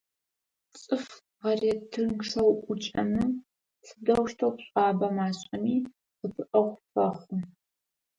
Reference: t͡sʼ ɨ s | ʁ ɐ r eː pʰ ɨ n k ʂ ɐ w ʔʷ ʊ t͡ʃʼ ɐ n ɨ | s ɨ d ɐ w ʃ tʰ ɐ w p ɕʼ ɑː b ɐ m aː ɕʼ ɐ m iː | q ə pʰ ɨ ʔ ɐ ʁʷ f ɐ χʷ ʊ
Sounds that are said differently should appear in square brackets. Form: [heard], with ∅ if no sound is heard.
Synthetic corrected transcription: t͡sʼ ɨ [f] | ʁ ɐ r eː [tʰ] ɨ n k ʂ ɐ w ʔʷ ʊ t͡ʃʼ ɐ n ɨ | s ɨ d ɐ w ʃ tʰ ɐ w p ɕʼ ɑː b ɐ m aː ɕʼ ɐ m iː | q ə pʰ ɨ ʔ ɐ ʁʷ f ɐ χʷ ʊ